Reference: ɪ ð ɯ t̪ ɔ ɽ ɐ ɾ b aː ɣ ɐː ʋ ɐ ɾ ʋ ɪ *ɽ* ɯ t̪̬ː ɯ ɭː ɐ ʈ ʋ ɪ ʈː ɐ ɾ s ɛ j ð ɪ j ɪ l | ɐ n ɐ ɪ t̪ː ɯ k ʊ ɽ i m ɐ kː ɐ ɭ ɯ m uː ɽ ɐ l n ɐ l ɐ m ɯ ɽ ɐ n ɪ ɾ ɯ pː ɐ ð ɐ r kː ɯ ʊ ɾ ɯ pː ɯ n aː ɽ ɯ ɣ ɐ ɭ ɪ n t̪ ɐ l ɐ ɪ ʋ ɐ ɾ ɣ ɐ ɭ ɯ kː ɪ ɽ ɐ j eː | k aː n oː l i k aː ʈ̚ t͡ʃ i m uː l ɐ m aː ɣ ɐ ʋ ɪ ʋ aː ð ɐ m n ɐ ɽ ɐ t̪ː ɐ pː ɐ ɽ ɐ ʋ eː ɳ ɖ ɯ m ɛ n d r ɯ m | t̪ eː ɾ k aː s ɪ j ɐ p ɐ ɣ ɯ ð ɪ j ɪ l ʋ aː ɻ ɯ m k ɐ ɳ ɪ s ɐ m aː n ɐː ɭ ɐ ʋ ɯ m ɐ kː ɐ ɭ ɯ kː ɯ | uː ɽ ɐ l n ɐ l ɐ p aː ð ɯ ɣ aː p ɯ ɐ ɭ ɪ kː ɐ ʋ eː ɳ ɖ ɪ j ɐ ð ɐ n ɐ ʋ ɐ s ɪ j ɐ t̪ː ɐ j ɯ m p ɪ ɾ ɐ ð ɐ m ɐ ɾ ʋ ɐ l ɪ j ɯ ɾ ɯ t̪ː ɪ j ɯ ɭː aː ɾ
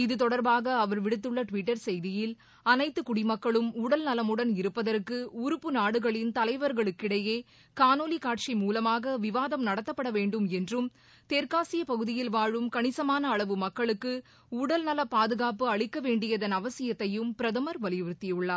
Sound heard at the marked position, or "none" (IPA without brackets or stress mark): ɽ